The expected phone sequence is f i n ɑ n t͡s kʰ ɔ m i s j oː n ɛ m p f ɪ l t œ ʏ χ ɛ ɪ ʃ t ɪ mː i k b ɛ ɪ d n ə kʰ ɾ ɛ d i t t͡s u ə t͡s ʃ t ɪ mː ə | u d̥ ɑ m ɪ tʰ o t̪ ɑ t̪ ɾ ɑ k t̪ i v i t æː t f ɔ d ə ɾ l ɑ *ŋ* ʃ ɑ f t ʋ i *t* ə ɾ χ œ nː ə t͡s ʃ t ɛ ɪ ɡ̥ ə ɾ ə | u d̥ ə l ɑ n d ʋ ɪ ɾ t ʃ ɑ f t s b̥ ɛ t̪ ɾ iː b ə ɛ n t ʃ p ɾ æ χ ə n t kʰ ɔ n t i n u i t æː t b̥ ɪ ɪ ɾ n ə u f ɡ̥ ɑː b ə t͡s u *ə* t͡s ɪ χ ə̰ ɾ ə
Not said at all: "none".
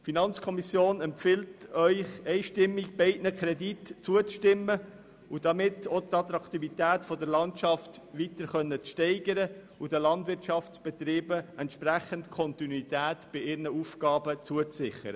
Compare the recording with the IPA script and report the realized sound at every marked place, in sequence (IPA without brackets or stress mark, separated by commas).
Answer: n, t, ə